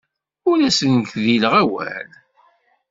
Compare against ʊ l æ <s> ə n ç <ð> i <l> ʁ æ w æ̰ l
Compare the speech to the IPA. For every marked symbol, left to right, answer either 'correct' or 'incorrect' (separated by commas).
correct, correct, correct